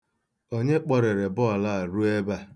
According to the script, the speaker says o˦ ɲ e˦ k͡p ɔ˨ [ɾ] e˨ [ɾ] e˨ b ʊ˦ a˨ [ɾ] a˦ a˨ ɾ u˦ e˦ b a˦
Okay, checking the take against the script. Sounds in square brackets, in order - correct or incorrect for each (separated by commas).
correct, correct, incorrect